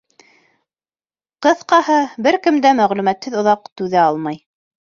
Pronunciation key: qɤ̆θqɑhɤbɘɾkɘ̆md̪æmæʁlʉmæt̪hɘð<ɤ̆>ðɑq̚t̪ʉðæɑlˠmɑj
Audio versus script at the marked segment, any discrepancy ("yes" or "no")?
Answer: yes